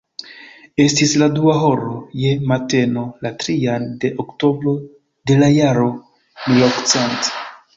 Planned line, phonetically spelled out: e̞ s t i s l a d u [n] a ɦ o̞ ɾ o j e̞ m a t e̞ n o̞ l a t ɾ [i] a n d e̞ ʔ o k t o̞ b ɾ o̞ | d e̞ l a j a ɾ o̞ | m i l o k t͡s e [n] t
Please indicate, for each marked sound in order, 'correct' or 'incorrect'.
incorrect: none, correct, correct

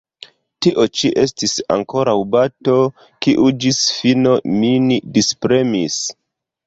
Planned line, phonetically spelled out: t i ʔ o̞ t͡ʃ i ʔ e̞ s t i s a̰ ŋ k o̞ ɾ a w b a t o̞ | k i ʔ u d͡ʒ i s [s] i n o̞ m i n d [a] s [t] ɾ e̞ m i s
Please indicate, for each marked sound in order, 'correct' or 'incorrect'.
incorrect: f, incorrect: i, incorrect: p

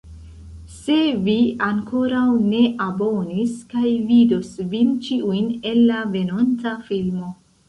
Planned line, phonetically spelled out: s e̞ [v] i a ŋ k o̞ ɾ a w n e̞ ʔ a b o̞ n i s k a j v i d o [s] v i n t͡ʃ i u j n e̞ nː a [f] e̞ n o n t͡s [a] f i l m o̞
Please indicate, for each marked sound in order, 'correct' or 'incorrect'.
correct, correct, incorrect: v, correct

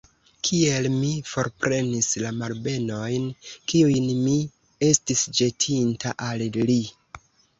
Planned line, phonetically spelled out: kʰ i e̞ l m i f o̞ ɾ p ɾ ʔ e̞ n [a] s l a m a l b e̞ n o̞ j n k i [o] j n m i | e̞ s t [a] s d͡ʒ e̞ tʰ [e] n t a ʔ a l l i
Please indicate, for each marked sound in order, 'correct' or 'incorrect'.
incorrect: i, incorrect: u, incorrect: i, incorrect: i

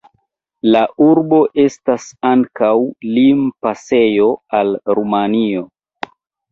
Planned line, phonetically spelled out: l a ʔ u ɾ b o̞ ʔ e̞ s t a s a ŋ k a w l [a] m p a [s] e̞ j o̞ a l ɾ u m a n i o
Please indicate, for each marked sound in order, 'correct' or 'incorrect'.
incorrect: i, correct

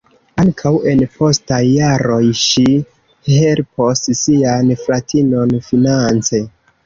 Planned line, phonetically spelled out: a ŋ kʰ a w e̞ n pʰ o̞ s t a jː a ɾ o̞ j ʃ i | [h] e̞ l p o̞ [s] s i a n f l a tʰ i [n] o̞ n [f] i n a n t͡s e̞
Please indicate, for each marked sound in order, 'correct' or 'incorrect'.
correct, correct, correct, correct

